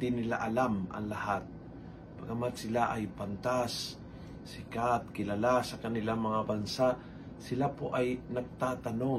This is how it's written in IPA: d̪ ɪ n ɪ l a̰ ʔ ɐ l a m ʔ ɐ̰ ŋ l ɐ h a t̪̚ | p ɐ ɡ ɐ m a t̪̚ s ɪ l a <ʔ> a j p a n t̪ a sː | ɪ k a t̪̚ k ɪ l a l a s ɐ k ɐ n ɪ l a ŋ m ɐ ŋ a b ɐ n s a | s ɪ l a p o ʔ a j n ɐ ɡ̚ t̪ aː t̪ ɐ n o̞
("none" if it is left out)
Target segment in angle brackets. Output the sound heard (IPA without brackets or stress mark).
ʔ